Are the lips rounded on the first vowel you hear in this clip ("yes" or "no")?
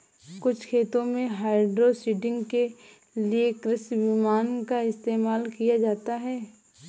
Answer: yes